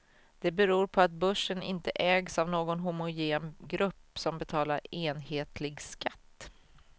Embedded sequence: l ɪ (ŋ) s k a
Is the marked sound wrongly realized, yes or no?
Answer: yes